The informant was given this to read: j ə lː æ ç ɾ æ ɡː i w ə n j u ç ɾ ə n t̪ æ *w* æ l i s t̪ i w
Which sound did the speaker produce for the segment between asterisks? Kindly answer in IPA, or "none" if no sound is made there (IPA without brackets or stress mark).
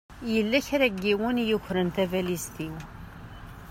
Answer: v